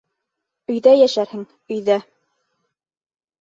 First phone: ɵ̆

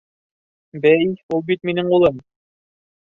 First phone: b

